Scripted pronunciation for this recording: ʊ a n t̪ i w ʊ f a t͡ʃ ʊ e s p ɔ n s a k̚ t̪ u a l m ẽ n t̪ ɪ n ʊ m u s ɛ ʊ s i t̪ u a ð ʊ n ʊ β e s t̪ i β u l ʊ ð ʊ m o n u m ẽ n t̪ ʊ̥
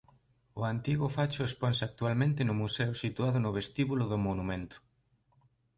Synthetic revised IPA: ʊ a n t̪ i ɣ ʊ f a t͡ʃ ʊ e s p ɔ n s a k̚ t̪ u a l m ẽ n t̪ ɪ n ʊ m u s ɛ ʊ s i t̪ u a ð ʊ n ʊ β e s t̪ i β u l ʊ ð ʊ m o n u m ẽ n t̪ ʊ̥